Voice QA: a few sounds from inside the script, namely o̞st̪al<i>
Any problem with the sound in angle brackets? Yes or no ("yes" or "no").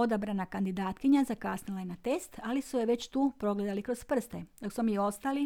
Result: no